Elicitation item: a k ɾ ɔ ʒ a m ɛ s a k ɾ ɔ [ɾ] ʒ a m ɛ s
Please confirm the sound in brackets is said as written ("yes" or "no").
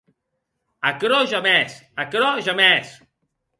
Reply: no